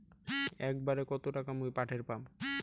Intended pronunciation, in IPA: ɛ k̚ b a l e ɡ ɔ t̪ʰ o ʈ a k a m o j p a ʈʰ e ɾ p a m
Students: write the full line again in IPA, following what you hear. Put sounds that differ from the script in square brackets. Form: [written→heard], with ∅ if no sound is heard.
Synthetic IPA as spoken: ɛ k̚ b a [l→ɾ] e [ɡ→k] ɔ [t̪ʰ→t̪] o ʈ a k a m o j p a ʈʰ e ɾ p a m